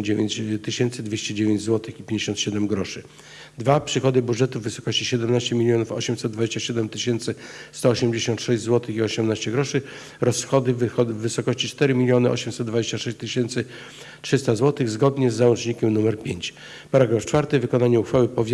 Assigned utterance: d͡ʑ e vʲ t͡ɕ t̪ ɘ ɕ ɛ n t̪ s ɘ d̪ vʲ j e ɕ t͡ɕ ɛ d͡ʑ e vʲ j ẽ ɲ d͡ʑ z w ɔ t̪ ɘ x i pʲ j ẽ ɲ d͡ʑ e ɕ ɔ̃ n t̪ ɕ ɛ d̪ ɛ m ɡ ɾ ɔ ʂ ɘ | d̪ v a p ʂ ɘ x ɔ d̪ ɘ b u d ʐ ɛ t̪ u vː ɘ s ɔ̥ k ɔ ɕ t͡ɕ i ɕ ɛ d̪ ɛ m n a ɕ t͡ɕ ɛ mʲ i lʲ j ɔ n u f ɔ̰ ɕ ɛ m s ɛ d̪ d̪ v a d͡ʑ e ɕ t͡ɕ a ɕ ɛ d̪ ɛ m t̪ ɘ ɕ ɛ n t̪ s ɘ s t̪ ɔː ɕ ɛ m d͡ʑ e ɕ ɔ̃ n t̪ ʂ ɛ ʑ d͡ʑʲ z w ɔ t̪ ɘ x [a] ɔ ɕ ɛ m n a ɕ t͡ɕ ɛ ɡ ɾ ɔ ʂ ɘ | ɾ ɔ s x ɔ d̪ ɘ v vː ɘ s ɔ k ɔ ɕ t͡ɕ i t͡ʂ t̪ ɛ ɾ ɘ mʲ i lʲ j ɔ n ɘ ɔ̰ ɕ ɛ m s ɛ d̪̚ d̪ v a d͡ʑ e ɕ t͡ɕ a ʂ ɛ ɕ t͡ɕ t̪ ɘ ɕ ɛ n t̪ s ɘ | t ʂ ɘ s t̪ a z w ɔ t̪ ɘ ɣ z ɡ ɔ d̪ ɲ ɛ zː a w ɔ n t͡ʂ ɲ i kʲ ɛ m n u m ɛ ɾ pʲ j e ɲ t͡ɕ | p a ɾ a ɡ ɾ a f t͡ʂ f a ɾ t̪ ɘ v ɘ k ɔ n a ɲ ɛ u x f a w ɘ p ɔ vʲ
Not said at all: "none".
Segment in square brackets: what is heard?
i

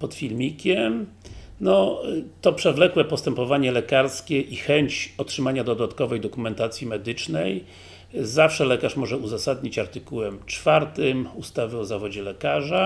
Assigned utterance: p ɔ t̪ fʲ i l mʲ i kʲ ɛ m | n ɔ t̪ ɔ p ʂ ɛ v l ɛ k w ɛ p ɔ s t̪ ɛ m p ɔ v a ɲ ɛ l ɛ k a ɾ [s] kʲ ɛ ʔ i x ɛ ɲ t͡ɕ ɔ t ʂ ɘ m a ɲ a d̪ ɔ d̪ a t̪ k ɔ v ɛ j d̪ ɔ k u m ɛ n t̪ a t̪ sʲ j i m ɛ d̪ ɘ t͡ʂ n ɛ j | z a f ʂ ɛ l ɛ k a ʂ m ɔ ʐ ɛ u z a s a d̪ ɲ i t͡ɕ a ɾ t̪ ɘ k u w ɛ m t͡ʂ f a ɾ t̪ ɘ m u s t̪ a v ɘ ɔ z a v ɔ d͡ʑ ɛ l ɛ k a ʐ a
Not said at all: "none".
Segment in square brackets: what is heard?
s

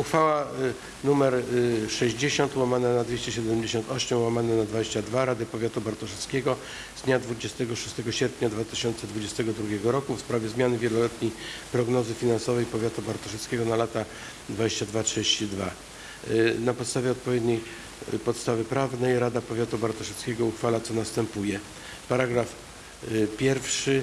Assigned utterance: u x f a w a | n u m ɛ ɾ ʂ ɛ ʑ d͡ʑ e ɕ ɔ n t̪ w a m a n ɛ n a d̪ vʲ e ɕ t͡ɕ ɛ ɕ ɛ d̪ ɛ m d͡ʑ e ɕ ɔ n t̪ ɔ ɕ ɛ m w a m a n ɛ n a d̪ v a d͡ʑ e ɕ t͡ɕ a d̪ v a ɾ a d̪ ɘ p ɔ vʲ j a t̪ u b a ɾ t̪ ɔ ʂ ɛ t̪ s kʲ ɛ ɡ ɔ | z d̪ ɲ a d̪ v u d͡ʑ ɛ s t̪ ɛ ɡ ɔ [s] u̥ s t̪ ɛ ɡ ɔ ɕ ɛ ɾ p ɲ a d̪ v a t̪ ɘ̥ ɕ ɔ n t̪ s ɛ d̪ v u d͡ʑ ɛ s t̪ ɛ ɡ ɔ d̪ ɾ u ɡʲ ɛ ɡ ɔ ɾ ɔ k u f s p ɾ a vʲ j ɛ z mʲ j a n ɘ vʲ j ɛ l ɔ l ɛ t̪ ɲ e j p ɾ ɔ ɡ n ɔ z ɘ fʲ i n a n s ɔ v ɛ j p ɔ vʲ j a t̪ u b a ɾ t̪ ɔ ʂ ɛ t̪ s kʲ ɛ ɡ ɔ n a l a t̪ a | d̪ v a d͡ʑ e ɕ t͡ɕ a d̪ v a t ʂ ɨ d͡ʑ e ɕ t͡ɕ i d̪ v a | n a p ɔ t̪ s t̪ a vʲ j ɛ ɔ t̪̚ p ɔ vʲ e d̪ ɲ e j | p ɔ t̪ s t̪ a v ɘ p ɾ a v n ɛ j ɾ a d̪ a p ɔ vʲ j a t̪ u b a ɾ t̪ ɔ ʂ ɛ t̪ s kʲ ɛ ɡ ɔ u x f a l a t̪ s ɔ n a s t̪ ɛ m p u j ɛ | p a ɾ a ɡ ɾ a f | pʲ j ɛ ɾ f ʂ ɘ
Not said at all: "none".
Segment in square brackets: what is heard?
ʂ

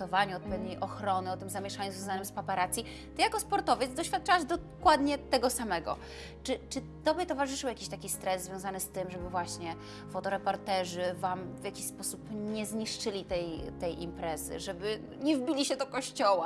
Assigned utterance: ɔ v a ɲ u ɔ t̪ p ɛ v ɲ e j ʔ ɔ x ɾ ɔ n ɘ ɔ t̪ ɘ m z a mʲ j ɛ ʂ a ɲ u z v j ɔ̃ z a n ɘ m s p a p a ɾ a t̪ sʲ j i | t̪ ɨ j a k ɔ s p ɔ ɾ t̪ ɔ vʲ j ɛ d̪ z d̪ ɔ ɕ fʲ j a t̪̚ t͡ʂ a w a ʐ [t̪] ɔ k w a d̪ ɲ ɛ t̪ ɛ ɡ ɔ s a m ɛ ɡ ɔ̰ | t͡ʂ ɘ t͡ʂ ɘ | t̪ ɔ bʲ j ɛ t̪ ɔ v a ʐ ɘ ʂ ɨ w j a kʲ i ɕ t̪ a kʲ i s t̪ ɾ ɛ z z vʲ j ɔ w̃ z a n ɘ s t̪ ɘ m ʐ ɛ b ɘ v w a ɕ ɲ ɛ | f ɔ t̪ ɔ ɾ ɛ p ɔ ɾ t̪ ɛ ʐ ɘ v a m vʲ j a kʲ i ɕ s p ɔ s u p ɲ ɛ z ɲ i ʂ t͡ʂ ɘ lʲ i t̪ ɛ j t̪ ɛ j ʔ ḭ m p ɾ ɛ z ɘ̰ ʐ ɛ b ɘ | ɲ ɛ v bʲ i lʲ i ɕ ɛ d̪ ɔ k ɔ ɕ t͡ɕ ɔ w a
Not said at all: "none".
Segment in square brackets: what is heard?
d̪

